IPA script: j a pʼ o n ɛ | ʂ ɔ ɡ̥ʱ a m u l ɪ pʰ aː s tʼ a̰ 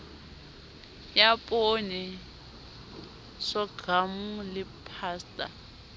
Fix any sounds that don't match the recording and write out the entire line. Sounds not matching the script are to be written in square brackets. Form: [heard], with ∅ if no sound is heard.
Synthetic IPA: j a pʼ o n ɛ | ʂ ɔ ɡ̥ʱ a m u l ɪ pʰ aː s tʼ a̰